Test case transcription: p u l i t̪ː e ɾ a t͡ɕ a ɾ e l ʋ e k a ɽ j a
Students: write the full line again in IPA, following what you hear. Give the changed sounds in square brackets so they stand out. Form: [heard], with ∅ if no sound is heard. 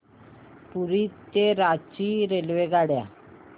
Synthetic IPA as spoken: p u [ɾ] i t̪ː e ɾ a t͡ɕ [i] ɾ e l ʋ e [ɡ] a ɽ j a